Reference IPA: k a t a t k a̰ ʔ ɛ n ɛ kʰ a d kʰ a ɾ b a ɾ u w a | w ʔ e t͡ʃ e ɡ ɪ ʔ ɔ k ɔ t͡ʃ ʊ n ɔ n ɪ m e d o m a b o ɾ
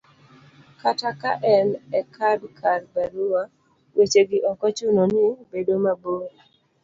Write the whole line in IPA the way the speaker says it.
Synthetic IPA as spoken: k a t a k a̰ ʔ ɛ n ɛ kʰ a d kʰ a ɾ b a ɾ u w a | w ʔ e t͡ʃ e ɡ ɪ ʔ ɔ k ɔ t͡ʃ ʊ n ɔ n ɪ b e d o m a b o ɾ